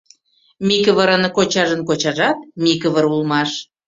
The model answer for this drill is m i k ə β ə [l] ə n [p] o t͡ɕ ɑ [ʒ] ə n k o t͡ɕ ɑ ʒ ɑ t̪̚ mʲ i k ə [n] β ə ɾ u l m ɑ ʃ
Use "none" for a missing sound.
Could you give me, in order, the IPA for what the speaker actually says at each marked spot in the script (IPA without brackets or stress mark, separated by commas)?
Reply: ɾ, k, ʒ, none